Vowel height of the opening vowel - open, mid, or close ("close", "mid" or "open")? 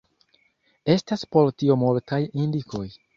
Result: mid